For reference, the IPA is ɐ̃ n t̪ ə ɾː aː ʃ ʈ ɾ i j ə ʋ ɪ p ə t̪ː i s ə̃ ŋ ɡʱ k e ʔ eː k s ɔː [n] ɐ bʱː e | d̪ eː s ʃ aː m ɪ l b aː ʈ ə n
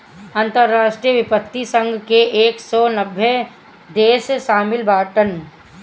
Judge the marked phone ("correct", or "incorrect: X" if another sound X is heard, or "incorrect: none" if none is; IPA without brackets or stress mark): correct